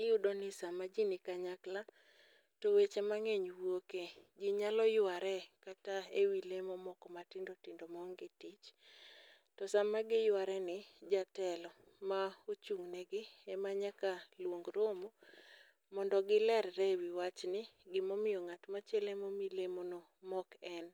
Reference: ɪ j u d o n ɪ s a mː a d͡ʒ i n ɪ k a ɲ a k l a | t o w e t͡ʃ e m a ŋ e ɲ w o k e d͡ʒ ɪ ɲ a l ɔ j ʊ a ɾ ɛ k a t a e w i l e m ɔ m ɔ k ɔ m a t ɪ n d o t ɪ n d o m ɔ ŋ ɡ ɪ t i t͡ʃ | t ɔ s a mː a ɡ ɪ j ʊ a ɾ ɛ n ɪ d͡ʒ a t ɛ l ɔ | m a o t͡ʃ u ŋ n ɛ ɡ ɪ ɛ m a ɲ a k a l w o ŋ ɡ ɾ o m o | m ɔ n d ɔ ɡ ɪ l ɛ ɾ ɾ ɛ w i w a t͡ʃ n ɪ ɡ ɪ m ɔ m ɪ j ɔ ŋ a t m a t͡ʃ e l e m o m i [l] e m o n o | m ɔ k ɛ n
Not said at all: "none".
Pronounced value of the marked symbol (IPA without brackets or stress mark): l